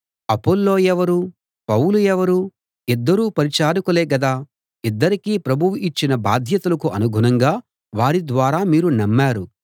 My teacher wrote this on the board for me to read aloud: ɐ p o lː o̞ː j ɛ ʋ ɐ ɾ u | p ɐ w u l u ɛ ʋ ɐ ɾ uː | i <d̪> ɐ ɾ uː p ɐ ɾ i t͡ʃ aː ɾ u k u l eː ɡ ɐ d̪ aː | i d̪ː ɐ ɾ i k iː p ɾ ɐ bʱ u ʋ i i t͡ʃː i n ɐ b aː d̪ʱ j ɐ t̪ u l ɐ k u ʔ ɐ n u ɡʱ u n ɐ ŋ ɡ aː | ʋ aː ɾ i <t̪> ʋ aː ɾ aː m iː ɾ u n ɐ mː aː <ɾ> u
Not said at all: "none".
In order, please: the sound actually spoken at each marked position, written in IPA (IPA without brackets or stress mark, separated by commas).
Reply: d̪ː, d̪, ɾ